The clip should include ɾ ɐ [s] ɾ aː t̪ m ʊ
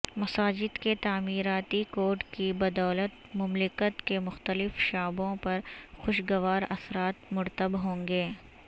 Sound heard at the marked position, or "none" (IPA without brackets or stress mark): s